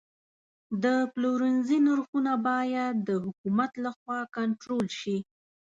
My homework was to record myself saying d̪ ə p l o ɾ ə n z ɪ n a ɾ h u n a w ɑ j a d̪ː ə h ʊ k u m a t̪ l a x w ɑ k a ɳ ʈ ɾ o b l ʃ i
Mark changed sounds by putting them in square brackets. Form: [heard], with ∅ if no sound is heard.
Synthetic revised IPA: d̪ ə p l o ɾ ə n z [i] n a ɾ [x] u n a [b] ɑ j a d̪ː ə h ʊ k u m a t̪ l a x w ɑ k a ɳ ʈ ɾ o [∅] l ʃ i